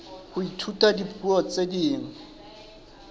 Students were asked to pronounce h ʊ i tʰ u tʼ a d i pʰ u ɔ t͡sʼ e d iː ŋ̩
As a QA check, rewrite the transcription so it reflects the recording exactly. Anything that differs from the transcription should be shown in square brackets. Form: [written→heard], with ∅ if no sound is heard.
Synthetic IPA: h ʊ i tʰ u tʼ a d i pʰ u ɔ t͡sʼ e d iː ŋ̩